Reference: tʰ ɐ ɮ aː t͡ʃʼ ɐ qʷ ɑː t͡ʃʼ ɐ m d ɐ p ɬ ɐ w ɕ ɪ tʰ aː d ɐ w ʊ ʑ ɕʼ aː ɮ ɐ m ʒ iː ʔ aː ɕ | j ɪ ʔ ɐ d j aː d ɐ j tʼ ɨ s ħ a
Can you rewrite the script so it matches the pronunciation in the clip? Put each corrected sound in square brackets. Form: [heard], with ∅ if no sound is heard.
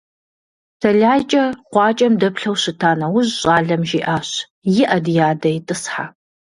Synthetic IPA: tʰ ɐ ɮ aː t͡ʃʼ ɐ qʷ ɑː t͡ʃʼ ɐ m d ɐ p ɬ ɐ w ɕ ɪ tʰ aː [n] ɐ w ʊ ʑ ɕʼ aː ɮ ɐ m ʒ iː ʔ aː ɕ | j ɪ ʔ ɐ d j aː d ɐ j tʼ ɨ s ħ a

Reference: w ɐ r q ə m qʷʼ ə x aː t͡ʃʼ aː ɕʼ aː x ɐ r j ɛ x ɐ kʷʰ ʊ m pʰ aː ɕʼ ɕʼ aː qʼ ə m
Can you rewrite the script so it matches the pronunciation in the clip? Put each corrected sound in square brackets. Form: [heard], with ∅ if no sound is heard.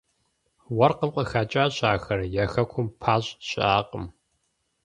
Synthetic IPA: w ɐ r q ə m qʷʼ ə x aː t͡ʃʼ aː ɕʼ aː x ɐ r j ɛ x ɐ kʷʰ ʊ m pʰ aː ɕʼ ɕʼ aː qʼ ə m

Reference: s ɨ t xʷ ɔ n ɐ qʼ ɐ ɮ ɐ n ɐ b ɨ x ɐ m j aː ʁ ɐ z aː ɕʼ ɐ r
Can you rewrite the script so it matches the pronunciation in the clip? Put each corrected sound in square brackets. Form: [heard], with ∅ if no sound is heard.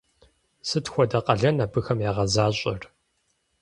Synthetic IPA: s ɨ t xʷ ɔ [d] ɐ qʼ ɐ ɮ ɐ n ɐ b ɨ x ɐ m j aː ʁ ɐ z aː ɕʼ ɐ r

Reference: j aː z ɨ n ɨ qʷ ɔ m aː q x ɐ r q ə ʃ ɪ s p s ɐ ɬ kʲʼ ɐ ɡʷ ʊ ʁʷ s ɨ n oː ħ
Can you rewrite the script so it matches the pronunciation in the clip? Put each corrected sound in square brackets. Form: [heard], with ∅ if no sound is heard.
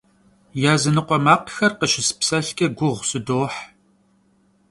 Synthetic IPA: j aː z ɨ n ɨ qʷ ɔ m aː q x ɐ r q ə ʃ ɪ s p s ɐ ɬ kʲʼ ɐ ɡʷ ʊ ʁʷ s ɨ [d] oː ħ

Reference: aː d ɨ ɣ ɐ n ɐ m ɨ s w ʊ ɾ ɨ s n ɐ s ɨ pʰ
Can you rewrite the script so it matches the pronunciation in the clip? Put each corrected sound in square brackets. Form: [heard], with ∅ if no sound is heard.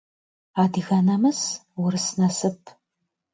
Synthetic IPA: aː d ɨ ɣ ɐ n ɐ m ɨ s w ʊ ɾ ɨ s n ɐ s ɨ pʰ

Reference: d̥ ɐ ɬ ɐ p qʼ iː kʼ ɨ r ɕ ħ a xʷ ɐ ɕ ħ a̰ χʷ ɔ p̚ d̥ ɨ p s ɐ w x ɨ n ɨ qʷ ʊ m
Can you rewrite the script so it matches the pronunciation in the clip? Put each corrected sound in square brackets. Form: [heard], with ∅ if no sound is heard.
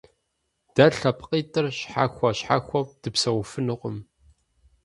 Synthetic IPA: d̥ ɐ ɬ ɐ p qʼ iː [tʼ] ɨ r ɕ ħ a xʷ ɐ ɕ ħ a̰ [xʷ] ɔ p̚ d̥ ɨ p s ɐ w [f] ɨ n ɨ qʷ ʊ m

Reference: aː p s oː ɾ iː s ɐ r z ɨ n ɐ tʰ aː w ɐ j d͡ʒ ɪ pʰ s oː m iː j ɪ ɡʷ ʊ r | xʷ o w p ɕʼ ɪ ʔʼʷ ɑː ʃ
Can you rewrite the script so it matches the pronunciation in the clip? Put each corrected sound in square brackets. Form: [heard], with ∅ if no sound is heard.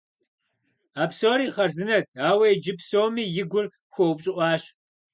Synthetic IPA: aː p s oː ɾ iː [χ] ɐ r z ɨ n ɐ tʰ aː w ɐ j d͡ʒ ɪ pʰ s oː m iː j ɪ ɡʷ ʊ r | xʷ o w p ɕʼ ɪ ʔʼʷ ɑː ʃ

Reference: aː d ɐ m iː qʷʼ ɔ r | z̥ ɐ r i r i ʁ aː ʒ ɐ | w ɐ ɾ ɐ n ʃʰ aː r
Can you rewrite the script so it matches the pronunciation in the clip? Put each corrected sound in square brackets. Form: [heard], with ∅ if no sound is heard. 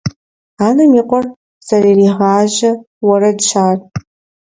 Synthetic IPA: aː [n] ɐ m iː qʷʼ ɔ r | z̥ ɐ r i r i ʁ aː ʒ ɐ | w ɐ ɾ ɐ [d] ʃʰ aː r

